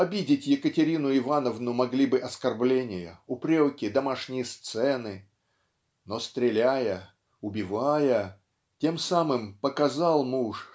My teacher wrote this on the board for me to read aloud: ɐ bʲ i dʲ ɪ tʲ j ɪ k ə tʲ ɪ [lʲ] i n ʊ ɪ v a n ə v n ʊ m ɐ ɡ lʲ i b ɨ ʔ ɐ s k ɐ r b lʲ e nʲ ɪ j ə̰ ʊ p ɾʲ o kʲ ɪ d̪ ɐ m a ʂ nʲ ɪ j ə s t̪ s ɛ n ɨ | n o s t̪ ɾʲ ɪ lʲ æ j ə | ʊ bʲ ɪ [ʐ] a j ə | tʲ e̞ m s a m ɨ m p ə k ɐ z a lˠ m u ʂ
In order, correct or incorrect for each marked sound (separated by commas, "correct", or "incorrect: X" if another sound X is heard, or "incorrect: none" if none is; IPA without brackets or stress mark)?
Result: incorrect: ɾʲ, incorrect: v